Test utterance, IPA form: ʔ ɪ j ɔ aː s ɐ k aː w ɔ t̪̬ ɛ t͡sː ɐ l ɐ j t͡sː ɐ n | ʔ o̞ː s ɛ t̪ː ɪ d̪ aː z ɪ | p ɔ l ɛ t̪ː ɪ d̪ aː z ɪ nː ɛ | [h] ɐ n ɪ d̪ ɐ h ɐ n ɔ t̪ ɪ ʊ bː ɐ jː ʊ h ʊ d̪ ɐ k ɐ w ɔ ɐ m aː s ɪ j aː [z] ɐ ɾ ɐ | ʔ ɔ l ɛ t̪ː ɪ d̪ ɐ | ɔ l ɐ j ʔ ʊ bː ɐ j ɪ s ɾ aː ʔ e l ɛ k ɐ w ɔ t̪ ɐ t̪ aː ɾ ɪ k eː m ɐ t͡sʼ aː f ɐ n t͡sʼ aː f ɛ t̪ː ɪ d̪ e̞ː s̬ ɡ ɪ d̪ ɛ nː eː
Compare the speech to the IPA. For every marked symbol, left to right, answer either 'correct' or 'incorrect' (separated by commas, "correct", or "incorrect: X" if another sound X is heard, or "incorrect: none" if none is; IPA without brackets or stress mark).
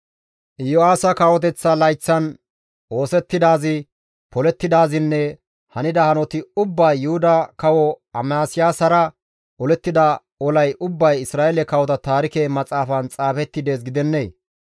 correct, incorrect: s